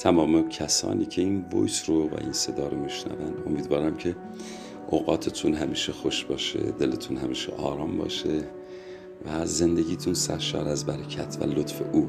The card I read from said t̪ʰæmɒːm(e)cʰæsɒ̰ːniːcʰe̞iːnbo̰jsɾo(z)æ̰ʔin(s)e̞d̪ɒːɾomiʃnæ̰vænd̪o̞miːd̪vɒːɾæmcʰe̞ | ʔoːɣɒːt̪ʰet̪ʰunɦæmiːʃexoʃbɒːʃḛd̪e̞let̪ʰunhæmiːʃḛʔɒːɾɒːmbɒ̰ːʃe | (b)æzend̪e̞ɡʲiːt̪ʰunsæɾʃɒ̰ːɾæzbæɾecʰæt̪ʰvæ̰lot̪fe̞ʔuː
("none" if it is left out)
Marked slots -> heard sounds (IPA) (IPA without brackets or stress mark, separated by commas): e, v, s, v